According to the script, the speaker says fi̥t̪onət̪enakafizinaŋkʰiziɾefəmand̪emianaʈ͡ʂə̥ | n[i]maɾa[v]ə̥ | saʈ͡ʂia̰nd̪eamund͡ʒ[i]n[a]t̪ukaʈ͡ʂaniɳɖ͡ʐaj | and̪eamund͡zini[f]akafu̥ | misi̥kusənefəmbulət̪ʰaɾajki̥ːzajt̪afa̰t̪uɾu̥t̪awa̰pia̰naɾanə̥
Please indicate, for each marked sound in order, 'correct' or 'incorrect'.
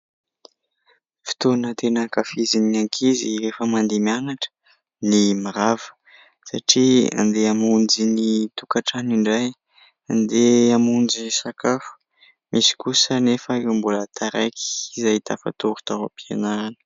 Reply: correct, correct, correct, incorrect: i, incorrect: s

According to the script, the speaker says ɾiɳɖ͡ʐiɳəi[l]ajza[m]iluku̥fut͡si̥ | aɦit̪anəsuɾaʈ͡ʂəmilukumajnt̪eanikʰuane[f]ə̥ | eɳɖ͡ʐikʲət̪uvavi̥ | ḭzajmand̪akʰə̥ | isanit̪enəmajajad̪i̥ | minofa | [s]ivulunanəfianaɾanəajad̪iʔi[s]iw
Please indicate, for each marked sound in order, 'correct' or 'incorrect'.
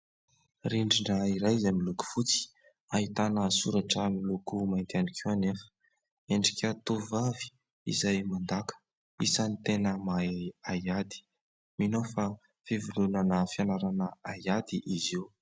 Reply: incorrect: ɾ, correct, correct, incorrect: f, incorrect: z

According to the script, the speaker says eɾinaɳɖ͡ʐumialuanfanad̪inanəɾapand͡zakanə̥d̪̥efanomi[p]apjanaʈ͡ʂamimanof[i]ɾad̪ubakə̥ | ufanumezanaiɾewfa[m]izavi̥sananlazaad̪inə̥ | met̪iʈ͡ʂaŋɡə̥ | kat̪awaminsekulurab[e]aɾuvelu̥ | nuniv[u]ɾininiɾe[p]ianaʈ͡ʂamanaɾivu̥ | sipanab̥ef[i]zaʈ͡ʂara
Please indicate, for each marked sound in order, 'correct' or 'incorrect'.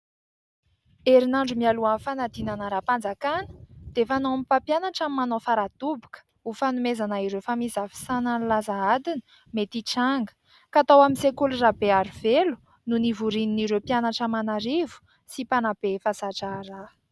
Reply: correct, incorrect: a, correct, correct, correct, correct, incorrect: a

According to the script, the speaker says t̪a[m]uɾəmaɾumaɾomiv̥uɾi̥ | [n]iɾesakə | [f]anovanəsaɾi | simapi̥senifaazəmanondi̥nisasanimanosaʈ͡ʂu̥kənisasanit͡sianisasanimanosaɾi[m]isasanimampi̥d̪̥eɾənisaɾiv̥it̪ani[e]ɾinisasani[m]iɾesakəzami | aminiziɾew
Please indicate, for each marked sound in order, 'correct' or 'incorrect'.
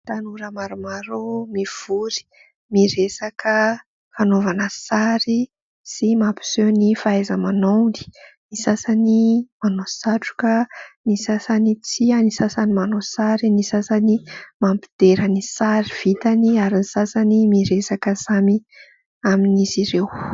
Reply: incorrect: n, incorrect: m, correct, incorrect: n, incorrect: a, correct

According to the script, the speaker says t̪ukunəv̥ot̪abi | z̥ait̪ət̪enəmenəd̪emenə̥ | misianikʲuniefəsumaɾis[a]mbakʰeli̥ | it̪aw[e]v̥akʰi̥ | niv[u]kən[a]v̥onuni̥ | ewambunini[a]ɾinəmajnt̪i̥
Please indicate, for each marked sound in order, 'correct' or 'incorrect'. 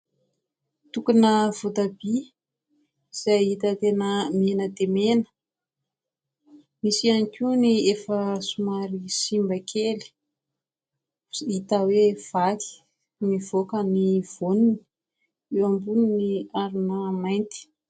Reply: incorrect: i, correct, incorrect: o, incorrect: i, correct

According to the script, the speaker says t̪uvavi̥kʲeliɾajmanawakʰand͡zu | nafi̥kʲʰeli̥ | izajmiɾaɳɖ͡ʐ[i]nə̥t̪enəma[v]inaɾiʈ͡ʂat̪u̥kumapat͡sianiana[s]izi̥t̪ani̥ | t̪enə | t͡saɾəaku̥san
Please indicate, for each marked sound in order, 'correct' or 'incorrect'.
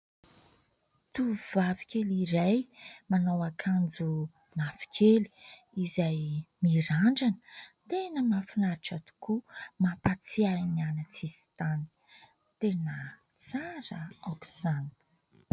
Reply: incorrect: a, incorrect: f, incorrect: t͡s

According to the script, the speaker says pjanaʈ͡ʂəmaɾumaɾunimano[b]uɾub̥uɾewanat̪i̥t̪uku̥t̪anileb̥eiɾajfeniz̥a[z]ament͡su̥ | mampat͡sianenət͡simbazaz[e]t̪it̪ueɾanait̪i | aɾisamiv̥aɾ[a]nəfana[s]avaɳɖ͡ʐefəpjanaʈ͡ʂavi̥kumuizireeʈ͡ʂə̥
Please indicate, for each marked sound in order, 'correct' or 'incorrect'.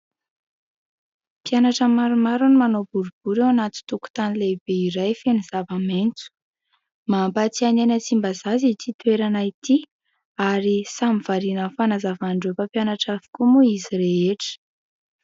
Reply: correct, incorrect: v, incorrect: i, incorrect: i, incorrect: z

